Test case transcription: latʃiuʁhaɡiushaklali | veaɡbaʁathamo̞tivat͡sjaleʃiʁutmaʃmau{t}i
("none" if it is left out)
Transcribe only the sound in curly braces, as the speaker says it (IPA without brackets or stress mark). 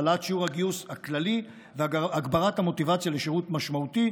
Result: t